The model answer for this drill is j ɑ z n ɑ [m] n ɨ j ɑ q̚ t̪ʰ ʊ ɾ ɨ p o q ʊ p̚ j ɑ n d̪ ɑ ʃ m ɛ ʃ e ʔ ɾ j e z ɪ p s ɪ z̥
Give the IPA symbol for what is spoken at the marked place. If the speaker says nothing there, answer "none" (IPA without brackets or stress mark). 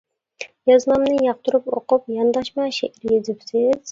m